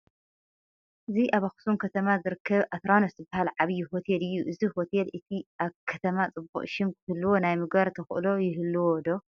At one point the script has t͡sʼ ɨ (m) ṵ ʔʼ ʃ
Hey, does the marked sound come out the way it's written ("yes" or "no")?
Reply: no